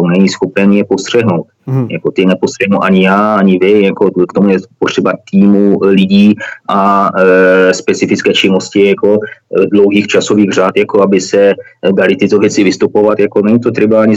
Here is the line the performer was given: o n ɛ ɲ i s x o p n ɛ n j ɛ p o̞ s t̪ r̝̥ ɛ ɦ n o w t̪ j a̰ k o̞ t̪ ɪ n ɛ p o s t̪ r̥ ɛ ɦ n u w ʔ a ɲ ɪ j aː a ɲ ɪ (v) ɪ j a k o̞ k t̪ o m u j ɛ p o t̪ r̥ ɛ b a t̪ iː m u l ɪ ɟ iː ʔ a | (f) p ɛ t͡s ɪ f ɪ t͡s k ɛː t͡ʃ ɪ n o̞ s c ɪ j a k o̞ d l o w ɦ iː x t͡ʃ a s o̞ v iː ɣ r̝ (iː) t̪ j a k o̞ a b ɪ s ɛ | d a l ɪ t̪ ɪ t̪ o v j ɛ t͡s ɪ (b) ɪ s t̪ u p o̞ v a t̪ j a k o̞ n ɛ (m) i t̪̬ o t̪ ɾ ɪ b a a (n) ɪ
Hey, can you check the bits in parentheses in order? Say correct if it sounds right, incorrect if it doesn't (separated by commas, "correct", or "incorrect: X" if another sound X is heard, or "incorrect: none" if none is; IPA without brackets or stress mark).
correct, incorrect: s, incorrect: aː, incorrect: v, incorrect: ɲ, incorrect: ɲ